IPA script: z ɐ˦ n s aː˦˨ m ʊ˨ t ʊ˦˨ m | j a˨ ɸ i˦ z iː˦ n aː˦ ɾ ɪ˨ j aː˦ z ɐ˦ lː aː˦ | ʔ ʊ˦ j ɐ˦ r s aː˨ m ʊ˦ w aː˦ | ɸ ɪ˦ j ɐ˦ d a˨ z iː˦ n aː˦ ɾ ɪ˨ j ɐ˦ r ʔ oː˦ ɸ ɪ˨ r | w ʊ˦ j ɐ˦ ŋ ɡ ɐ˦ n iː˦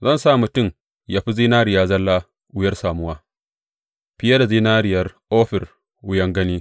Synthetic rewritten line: z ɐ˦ n s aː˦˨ m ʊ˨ t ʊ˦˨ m | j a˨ ɸ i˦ z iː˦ n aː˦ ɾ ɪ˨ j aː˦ z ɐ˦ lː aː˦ | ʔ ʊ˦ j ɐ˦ r s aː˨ m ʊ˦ w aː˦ | ɸ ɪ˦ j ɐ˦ d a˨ z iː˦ n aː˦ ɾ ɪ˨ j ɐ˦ r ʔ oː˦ ɸ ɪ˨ r | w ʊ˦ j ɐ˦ ŋ ɡ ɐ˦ n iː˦